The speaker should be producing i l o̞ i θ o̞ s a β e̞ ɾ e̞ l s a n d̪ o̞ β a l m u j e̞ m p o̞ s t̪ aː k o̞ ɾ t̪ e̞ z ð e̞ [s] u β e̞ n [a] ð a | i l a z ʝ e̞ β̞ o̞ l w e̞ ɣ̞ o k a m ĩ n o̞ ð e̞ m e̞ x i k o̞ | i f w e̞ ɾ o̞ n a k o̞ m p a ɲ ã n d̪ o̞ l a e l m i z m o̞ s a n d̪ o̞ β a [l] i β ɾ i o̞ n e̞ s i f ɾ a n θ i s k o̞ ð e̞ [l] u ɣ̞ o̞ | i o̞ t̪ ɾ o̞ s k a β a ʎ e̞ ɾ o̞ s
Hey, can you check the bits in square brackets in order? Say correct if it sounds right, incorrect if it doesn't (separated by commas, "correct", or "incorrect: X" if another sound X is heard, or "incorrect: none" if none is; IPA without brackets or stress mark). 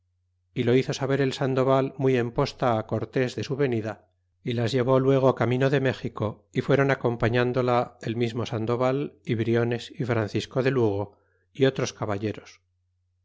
correct, incorrect: i, correct, correct